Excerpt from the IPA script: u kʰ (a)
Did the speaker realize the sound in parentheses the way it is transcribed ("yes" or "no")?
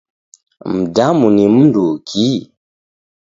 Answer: no